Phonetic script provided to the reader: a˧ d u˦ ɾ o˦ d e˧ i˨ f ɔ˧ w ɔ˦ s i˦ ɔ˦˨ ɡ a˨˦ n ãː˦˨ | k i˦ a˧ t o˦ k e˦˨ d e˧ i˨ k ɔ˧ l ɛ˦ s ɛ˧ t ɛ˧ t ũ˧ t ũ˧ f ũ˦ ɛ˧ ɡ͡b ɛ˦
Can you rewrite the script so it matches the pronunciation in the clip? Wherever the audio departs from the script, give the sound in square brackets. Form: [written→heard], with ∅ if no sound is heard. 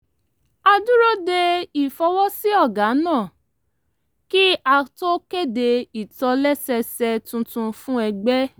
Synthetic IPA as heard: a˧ d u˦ ɾ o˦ d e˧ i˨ f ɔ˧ w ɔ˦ s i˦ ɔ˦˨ ɡ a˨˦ n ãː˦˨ | k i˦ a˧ t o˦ k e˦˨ d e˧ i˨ [k→t] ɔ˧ l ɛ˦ s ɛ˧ [t→s] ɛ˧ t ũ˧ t ũ˧ f ũ˦ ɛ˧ ɡ͡b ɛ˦